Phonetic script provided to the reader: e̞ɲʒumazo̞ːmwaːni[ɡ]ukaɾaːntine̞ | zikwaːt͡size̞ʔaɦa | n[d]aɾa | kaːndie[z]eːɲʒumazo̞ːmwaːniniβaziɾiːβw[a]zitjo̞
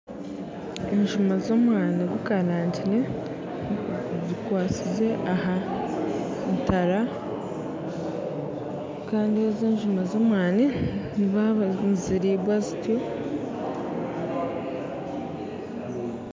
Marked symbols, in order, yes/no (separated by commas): yes, no, yes, yes